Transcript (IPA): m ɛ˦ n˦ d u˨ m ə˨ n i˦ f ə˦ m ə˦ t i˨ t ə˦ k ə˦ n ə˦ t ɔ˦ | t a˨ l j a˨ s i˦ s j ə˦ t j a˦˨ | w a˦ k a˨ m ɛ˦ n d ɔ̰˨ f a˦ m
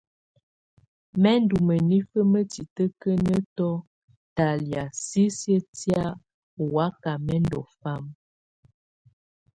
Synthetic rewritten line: m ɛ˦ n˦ d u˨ m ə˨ n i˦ f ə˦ m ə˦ t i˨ t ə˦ k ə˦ n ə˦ t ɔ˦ | t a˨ l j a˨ s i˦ s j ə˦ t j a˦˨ | w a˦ k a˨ m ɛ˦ n d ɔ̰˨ f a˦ m